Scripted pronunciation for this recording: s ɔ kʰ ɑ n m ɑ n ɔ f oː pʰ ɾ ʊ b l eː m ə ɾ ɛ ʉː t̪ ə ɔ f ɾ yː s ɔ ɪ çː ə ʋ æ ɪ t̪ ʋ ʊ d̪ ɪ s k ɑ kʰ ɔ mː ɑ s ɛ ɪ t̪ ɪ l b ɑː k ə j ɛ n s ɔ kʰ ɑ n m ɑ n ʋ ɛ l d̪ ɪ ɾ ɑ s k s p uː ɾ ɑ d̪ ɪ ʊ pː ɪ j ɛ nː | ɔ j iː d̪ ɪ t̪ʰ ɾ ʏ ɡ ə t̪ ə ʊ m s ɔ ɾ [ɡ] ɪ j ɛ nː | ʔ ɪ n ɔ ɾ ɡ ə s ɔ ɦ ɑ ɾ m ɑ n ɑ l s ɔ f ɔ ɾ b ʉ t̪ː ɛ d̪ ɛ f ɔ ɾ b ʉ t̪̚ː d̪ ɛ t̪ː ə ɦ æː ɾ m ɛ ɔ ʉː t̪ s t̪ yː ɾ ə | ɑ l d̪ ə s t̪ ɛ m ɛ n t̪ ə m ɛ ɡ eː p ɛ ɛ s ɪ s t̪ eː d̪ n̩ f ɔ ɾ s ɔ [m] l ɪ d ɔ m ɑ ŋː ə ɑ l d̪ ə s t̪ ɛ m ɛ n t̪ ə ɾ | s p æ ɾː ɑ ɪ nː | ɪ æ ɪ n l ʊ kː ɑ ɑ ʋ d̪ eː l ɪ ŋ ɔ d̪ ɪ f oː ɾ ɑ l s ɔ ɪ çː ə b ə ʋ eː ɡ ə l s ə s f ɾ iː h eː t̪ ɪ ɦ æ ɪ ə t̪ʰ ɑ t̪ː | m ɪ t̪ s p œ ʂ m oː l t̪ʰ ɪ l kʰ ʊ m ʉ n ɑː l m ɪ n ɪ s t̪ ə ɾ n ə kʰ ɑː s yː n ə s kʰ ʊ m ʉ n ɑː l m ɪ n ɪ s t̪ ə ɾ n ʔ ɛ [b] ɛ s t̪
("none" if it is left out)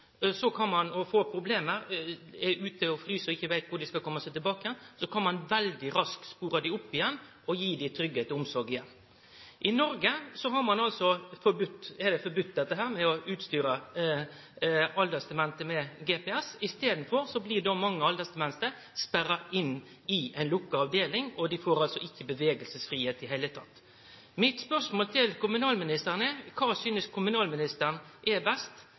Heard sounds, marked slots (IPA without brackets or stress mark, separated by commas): ɡ, b, b